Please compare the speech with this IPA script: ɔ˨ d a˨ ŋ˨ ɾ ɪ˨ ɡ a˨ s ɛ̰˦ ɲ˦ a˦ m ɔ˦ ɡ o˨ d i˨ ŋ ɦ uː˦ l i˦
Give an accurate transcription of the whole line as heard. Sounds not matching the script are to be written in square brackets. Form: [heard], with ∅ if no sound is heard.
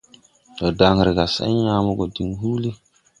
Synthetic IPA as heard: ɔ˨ d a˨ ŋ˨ ɾ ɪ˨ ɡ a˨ s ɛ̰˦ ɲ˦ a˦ m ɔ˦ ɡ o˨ d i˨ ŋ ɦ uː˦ l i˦